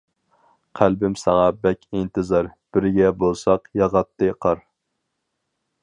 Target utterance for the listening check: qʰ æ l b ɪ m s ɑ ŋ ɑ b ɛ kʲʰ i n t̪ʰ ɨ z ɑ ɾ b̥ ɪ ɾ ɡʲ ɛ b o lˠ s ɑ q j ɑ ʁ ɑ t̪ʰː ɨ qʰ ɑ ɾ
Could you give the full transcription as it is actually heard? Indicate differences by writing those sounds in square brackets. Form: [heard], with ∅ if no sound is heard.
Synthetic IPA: qʰ æ l b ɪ m s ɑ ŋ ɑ b ɛ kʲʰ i n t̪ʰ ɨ z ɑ ɾ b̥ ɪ ɾ ɡʲ ɛ b o lˠ s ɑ q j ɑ ʁ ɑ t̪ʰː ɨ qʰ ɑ ɾ